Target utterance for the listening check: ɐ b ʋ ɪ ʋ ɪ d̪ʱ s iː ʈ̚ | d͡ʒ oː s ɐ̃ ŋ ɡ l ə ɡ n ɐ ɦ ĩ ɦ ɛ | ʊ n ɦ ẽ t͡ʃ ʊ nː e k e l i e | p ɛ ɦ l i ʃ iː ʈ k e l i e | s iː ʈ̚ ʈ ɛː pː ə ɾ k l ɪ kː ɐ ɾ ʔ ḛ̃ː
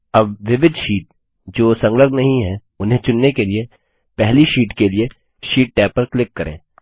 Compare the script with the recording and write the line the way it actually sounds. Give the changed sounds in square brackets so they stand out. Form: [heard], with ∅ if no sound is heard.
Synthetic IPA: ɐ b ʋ ɪ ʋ ɪ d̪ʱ [ʃ] iː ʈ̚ | d͡ʒ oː s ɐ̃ ŋ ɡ l ə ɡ n ɐ ɦ ĩ ɦ ɛ | ʊ n ɦ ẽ t͡ʃ ʊ nː e k e l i e | p ɛ ɦ l i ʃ iː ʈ k e l i e | [ʃ] iː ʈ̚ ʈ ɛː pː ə ɾ k l ɪ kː ɐ ɾ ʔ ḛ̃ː